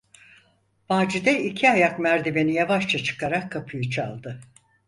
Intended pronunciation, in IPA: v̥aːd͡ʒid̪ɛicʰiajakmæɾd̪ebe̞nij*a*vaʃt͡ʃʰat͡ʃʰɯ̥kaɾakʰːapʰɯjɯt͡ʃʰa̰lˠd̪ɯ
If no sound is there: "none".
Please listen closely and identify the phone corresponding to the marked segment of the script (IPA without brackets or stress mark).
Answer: a